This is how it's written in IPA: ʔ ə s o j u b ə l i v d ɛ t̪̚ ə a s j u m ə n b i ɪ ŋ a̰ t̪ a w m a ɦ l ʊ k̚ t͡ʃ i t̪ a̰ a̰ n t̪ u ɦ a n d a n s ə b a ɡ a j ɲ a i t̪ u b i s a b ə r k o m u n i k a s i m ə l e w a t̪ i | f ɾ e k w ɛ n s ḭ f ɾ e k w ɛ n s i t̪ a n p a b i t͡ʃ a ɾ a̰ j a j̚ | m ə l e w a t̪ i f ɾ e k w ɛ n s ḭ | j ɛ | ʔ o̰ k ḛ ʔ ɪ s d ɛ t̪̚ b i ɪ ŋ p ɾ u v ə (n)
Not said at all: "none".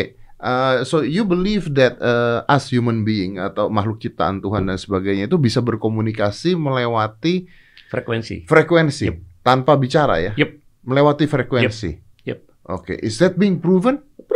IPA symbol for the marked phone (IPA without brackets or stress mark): n